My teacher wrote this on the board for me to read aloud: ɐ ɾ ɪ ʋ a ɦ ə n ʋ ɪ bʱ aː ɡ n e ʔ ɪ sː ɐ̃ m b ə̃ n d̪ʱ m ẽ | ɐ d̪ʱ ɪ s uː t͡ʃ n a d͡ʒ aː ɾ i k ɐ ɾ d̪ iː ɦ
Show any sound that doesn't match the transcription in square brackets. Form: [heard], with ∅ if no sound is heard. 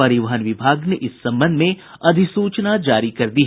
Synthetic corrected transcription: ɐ ɾ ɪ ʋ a ɦ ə n ʋ ɪ bʱ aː ɡ n e ʔ ɪ sː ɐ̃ m b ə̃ n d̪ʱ m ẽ | ɐ d̪ʱ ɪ s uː t͡ʃ n a d͡ʒ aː ɾ i k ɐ ɾ d̪ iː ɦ